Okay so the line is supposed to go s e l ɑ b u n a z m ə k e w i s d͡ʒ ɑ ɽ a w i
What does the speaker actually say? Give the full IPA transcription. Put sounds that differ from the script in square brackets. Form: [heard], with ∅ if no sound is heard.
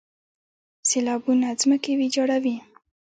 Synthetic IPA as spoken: s e l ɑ b u n a z m ə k e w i [∅] d͡ʒ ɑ ɽ a w i